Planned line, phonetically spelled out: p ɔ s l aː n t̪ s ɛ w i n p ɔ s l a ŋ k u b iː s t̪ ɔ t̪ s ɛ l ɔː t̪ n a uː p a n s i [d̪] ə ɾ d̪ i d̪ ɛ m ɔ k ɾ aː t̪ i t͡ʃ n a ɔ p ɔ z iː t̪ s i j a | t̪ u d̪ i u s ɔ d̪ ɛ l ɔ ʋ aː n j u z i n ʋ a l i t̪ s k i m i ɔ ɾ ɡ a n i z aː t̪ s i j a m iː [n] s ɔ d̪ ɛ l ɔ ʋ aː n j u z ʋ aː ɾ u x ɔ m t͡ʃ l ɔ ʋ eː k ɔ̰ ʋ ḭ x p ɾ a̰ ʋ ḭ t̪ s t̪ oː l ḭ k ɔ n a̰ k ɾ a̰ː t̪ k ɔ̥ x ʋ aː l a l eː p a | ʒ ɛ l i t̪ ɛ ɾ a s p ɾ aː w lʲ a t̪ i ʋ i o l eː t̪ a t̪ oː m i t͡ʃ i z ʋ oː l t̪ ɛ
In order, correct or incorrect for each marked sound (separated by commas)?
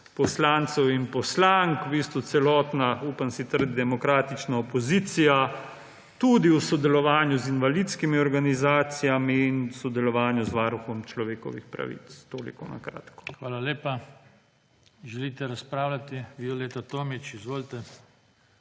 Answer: incorrect, correct